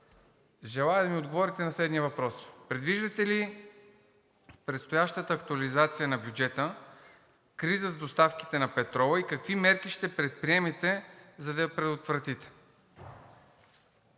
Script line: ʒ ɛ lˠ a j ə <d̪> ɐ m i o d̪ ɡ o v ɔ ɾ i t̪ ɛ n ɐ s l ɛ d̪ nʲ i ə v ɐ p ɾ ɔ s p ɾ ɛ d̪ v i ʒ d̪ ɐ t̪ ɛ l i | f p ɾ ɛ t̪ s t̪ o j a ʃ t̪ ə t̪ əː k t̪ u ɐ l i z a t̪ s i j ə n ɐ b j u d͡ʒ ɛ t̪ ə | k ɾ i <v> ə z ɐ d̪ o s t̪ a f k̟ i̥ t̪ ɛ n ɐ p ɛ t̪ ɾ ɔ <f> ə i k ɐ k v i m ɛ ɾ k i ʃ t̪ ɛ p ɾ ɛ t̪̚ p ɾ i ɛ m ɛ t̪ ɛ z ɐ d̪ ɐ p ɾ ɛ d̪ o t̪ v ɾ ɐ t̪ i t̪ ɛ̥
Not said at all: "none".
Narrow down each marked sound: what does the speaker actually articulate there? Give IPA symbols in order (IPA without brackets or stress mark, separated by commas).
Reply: d̪, z, v